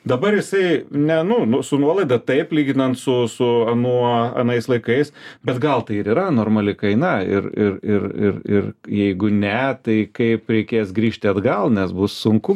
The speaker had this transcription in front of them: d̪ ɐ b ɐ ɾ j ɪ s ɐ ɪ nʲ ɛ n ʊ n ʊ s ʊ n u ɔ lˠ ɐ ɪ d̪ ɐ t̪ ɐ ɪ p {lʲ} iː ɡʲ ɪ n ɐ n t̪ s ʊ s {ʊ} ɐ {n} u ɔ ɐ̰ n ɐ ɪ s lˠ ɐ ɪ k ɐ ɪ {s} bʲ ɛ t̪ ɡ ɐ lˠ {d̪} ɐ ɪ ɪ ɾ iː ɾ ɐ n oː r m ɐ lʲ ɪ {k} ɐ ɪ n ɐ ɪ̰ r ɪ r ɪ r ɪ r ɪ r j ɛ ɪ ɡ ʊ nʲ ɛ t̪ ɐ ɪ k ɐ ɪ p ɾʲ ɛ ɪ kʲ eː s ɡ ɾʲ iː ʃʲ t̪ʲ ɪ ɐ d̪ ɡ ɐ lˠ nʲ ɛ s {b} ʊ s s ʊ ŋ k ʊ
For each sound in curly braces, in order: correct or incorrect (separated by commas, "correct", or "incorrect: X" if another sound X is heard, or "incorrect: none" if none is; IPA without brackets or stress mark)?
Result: correct, correct, correct, correct, incorrect: t̪, correct, correct